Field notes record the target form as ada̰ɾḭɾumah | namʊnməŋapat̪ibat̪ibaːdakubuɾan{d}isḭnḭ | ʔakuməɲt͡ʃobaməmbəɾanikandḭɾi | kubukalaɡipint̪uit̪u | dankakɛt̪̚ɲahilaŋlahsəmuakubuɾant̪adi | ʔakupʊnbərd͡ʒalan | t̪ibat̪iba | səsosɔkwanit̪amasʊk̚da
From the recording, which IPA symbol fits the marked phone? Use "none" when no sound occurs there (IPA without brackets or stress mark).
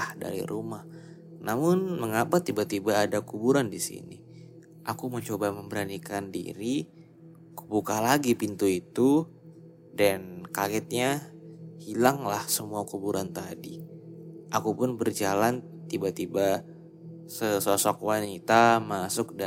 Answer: d